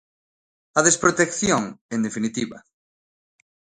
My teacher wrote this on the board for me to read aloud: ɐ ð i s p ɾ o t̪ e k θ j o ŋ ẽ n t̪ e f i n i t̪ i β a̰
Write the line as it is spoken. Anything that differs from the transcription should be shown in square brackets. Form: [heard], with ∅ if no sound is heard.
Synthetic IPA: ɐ ð [e] s p ɾ o t̪ e k θ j o ŋ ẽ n [d̪] e f i n i t̪ i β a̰